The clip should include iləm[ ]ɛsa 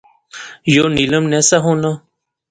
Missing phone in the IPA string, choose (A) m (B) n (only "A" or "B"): B